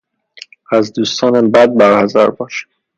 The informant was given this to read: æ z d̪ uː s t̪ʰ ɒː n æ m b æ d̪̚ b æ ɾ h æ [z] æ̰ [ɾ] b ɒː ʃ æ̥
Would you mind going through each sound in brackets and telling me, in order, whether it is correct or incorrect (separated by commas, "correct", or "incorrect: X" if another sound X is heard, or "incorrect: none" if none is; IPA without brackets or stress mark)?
correct, correct